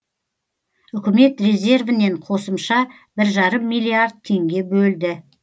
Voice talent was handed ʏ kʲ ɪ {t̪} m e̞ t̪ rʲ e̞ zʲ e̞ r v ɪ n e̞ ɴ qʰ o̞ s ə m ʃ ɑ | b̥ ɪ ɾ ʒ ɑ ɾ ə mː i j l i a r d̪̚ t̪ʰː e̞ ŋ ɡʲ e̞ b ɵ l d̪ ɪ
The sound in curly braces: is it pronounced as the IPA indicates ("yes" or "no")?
no